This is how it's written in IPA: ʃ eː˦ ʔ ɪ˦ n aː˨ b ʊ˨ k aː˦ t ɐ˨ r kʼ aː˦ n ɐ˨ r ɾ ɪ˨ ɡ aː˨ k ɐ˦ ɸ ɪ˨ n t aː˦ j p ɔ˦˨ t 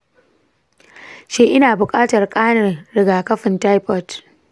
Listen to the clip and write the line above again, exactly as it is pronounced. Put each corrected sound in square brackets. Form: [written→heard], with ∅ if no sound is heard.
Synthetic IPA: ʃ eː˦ ʔ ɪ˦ n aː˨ b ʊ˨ [k→kʼ] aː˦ t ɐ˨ r kʼ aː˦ n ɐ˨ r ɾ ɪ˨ ɡ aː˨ k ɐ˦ ɸ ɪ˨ n t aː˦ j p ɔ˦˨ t